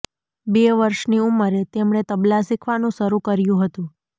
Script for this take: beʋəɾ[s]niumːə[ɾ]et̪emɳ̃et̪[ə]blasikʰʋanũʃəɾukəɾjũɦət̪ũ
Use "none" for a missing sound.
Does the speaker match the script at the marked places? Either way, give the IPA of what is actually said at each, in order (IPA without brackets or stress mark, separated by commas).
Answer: ʃ, ɾ, ə